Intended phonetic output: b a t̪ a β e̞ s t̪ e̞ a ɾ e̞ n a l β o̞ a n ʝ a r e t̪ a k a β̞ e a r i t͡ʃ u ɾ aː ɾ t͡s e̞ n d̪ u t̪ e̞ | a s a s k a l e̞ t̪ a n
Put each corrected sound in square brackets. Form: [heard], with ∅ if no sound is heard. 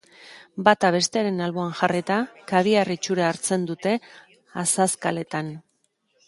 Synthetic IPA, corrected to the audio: b a t̪ a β e̞ s t̪ e̞ a ɾ e̞ n a l β o̞ a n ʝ a r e t̪ a k a β̞ [i] a r i t͡ʃ u ɾ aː ɾ t͡s e̞ n d̪ u t̪ e̞ | a s a s k a l e̞ t̪ a n